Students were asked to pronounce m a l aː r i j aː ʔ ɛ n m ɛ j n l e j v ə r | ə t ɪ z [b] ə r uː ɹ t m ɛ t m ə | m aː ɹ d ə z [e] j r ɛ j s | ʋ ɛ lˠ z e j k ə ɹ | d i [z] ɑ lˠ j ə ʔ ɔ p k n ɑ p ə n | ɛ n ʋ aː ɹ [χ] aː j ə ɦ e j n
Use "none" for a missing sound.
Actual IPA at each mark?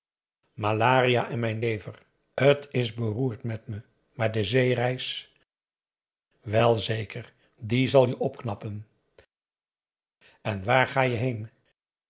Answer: b, e, z, χ

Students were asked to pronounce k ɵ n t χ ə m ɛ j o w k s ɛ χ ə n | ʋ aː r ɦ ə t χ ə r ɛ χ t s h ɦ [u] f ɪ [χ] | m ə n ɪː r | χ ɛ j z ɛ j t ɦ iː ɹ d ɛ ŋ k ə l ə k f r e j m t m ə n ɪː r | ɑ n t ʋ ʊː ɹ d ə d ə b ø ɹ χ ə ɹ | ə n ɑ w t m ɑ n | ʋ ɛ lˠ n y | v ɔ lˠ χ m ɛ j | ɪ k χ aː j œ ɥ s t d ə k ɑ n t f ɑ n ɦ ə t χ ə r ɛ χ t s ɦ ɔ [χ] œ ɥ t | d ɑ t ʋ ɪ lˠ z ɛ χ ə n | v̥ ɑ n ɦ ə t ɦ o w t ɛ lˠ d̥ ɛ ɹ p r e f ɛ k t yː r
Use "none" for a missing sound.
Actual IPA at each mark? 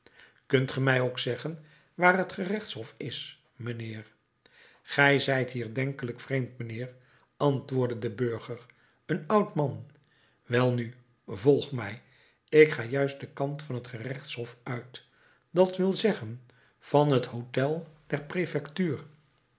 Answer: ɔ, s, f

